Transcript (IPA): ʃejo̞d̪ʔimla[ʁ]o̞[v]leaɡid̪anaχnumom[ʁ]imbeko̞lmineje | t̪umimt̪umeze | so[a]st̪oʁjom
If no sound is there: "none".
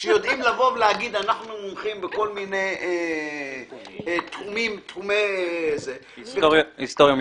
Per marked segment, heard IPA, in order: v, v, χ, i

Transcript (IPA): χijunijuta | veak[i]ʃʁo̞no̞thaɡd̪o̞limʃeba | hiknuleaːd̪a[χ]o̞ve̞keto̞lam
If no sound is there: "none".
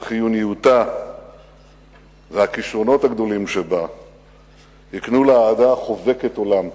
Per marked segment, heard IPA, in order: i, χ

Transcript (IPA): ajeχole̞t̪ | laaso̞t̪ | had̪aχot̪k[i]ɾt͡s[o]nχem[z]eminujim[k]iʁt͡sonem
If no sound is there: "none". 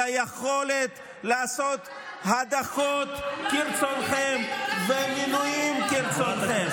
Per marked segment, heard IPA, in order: i, o, v, k

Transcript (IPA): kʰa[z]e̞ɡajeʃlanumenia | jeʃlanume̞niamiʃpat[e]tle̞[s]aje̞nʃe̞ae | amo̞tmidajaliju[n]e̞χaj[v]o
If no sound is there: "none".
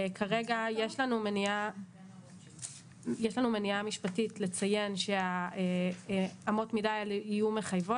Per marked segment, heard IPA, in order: ʁ, i, t͡s, m, v

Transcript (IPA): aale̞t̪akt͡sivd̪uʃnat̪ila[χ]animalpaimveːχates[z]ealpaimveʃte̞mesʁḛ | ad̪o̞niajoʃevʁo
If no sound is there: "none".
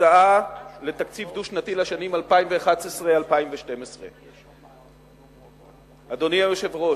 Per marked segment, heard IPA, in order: ʃ, ʁ

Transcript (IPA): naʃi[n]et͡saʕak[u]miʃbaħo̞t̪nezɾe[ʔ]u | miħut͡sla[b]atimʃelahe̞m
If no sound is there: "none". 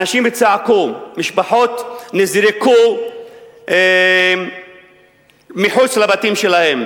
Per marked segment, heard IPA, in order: m, u, k, b

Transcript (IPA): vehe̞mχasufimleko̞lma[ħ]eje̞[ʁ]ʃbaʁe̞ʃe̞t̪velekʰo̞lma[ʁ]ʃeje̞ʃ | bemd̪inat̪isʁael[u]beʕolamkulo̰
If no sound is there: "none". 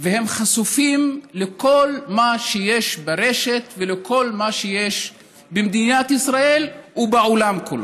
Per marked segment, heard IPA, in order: ʃ, none, none, u

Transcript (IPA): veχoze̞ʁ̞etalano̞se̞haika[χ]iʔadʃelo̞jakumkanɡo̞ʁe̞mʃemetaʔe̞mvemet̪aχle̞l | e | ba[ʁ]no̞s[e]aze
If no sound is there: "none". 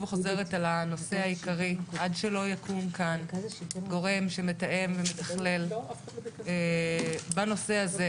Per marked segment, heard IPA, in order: ʁ, none, e

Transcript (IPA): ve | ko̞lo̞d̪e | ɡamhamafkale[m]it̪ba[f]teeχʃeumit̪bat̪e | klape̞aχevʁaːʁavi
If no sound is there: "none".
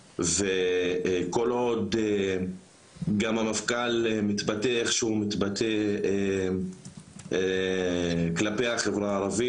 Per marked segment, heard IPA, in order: m, none

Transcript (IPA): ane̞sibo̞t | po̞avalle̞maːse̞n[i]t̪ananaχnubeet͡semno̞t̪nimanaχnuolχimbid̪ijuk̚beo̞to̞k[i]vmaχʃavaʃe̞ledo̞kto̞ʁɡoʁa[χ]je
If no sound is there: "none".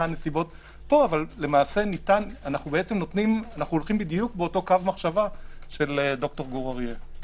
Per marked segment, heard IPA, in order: i, a, ʁ

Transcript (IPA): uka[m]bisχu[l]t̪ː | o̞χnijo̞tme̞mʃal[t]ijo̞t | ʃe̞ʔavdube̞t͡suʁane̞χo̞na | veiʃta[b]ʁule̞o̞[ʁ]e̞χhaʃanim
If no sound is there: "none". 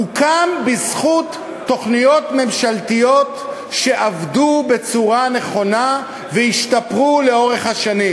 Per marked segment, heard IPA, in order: m, none, t, p, ʁ

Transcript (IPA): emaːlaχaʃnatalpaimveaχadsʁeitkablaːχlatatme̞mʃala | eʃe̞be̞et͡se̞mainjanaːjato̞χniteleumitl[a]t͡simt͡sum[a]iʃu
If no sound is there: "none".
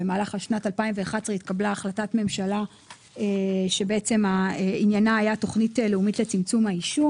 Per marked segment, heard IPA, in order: e, a

